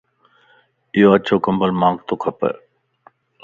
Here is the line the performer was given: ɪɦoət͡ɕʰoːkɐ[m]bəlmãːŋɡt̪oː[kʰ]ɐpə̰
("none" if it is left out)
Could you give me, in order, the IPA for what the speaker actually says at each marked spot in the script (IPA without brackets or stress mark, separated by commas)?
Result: m, kʰ